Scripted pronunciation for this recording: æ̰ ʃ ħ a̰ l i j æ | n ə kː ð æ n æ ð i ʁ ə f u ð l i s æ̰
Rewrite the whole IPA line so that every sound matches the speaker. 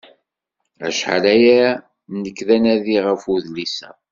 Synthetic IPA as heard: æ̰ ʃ ħ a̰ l æ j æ | n ə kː ð æ n æ ð i ʁ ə f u ð l i s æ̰